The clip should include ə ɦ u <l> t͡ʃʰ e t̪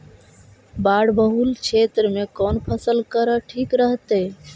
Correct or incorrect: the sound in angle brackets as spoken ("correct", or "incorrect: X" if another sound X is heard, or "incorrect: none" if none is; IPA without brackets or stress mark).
correct